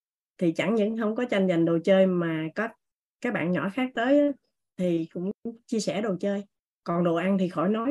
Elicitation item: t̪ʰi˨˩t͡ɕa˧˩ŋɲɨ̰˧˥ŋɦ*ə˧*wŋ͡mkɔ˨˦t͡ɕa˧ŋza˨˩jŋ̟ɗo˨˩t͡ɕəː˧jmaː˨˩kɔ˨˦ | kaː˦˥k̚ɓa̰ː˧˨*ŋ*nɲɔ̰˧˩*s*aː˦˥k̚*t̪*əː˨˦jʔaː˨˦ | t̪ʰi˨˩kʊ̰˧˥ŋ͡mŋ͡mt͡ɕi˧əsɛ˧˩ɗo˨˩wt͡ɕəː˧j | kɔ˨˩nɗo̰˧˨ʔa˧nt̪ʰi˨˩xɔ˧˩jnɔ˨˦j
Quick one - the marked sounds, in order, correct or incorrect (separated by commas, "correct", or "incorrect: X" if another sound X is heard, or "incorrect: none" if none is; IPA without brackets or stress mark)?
correct, incorrect: none, incorrect: x, correct